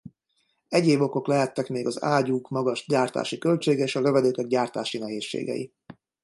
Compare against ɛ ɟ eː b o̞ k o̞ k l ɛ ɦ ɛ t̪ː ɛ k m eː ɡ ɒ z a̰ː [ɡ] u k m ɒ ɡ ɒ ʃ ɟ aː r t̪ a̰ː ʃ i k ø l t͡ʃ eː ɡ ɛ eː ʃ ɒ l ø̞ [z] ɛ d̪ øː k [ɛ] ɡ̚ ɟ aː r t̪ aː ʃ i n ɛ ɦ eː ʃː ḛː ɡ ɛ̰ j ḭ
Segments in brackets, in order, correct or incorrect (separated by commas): incorrect, incorrect, correct